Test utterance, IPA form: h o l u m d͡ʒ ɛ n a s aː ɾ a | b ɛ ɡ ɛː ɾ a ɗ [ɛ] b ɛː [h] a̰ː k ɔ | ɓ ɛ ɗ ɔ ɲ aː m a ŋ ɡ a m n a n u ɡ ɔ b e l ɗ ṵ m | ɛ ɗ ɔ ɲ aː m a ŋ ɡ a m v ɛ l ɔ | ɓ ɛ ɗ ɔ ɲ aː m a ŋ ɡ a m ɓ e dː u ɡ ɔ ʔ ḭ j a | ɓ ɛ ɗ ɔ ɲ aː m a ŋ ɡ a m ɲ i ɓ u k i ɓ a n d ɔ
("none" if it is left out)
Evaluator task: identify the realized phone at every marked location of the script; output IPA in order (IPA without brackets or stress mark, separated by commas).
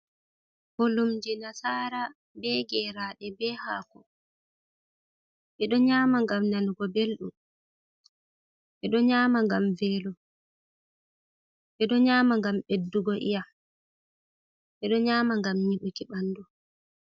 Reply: ɛ, h